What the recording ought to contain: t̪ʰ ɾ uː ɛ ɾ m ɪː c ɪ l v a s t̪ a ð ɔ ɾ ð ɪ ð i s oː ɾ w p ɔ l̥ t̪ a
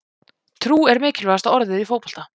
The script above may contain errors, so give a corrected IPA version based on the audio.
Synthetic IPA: t̪ʰ ɾ uː ɛ ɾ m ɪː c ɪ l v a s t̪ a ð ɔ ɾ ð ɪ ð i f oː w p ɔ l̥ t̪ a